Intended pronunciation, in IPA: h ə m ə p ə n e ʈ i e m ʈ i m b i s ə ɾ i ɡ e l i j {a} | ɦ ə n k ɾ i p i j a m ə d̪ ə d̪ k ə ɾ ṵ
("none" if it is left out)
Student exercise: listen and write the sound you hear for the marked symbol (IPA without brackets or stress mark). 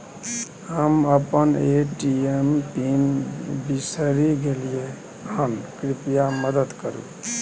e